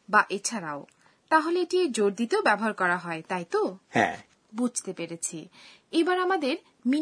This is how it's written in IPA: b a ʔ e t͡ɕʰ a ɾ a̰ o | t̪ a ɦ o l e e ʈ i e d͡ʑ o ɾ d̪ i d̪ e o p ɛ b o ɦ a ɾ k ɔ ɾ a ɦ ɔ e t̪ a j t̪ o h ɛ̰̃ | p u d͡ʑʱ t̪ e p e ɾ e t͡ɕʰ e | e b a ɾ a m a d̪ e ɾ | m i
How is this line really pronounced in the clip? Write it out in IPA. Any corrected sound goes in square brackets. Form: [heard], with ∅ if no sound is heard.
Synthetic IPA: b a ʔ e t͡ɕʰ a ɾ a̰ o | t̪ a ɦ o l e e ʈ i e d͡ʑ o ɾ d̪ i [t̪] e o [b] ɛ b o ɦ a ɾ k ɔ ɾ a ɦ ɔ e t̪ a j t̪ o h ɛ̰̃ | [b] u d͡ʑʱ t̪ e p e ɾ e t͡ɕʰ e | e b a ɾ a m a d̪ e ɾ | m i